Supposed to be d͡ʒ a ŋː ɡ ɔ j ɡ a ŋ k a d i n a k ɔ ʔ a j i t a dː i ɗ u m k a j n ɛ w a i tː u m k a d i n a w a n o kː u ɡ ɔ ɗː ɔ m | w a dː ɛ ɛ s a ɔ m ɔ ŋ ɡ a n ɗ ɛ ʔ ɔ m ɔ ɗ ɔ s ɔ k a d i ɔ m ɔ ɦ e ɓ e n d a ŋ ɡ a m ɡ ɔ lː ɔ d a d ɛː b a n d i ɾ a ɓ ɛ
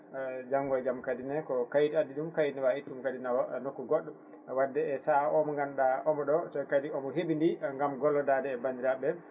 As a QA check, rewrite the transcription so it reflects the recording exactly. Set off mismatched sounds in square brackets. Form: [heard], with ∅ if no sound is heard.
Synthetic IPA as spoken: d͡ʒ a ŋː ɡ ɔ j ɡ a [m] k a d i n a k ɔ [k] a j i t a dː i ɗ u m k a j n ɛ w a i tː u m k a d i n a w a n o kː u ɡ ɔ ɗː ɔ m | w a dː ɛ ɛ s a ɔ m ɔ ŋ ɡ a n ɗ [a] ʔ ɔ m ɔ ɗ ɔ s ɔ k a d i ɔ m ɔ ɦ e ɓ [i] n d [i] ŋ ɡ a m ɡ ɔ lː ɔ d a d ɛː b a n d i ɾ a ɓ ɛ